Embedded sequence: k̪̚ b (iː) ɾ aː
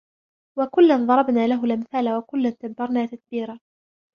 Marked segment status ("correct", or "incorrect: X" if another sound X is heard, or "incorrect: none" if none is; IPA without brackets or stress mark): correct